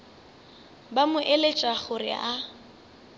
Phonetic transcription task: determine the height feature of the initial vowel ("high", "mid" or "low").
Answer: low